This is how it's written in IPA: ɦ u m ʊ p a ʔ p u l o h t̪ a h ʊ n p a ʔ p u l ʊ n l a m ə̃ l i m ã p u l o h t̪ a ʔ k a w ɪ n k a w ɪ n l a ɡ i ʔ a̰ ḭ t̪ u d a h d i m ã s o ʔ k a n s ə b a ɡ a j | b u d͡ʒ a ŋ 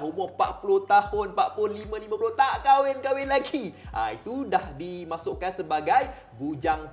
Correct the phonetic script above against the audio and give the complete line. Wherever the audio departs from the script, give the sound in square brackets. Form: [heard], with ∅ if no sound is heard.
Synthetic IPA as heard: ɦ u m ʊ p a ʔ p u l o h t̪ a h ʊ n p a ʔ p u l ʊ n l [i] m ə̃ l i m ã p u l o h t̪ a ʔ k a w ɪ n k a w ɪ n l a ɡ i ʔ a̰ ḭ t̪ u d a h d i m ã s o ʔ k a n s ə b a ɡ a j | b u d͡ʒ a ŋ